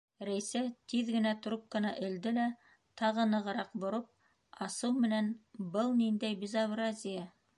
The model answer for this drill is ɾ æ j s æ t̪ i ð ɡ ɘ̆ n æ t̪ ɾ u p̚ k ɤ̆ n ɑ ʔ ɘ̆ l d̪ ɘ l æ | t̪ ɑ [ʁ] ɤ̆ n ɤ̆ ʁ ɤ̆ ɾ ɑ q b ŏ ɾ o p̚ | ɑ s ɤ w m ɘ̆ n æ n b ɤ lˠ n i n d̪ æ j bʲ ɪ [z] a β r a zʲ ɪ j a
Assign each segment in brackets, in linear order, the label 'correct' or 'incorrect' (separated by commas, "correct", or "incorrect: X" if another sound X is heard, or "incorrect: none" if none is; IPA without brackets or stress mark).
correct, correct